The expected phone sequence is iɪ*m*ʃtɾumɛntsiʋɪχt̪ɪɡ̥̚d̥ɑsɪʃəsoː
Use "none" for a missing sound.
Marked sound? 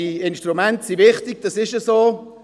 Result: n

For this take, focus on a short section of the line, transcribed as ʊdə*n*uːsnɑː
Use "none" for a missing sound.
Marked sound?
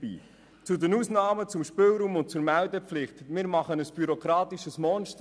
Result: n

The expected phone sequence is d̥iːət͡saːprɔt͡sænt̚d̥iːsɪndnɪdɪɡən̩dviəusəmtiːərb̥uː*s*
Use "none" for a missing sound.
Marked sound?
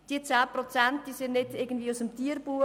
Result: none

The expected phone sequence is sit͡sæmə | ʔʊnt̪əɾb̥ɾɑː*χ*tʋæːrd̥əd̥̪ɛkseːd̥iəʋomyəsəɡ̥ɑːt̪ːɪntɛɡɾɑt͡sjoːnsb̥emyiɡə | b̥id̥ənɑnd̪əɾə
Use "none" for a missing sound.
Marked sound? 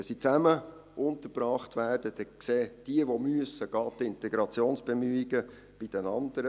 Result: χ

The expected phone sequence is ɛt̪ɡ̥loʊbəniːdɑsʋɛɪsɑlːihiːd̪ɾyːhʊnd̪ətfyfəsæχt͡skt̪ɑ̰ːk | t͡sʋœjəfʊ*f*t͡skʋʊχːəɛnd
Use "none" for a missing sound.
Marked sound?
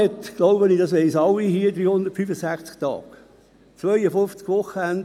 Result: f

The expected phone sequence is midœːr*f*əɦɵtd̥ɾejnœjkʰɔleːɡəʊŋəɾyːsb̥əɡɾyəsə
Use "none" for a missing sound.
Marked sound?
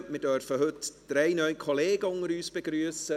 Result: f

